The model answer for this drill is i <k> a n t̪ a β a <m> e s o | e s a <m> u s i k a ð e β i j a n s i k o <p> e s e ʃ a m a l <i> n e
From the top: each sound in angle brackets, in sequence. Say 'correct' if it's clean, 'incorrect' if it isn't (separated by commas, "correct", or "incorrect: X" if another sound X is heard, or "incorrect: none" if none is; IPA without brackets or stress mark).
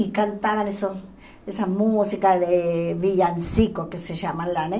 correct, incorrect: n, correct, incorrect: k, incorrect: a